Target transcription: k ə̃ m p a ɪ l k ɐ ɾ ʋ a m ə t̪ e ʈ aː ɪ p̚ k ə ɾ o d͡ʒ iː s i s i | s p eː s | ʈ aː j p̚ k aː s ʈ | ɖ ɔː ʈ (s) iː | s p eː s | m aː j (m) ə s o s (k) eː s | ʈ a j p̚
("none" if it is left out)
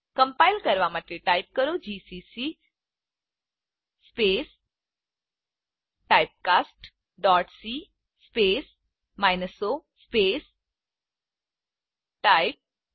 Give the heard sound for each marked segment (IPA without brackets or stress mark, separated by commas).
s, n, p